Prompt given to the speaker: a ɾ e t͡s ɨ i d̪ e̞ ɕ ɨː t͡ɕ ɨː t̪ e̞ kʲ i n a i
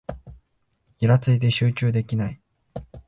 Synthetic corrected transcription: i ɾ a t͡s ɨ i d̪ e̞ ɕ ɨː t͡ɕ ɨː d̪ e̞ kʲ i n a i